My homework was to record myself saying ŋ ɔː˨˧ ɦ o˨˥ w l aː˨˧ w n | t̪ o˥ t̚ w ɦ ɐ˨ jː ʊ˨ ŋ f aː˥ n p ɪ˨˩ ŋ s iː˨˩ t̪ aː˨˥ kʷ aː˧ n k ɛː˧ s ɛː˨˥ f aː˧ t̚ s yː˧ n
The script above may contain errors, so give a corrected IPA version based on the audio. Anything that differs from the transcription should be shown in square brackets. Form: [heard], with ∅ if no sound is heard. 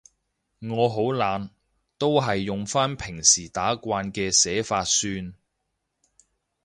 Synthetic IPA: ŋ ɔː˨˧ ɦ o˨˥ w l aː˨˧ [∅] n | t̪ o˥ [∅] w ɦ ɐ˨ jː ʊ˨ ŋ f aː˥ n [pʰ] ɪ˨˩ ŋ s iː˨˩ t̪ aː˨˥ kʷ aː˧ n k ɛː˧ s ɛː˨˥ f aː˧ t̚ s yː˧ n